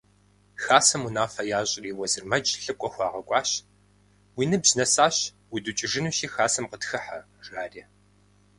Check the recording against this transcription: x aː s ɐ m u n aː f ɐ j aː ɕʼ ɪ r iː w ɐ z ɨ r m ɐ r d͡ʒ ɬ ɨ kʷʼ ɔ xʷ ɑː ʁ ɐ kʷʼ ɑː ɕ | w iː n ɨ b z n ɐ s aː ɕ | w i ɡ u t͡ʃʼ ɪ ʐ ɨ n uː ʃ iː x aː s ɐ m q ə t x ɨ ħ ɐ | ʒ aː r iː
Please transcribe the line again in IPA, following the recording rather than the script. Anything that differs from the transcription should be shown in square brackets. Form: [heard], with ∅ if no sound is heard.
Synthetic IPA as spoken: x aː s ɐ m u n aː f ɐ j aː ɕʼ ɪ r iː w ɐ z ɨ r m ɐ [∅] d͡ʒ ɬ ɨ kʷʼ ɔ xʷ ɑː ʁ ɐ kʷʼ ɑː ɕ | w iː n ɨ b z n ɐ s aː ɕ | w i [d] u t͡ʃʼ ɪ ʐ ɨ n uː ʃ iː x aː s ɐ m q ə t x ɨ ħ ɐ | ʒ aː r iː